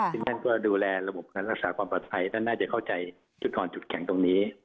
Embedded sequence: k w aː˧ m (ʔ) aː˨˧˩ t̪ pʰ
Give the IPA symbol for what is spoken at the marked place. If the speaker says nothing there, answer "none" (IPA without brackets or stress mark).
p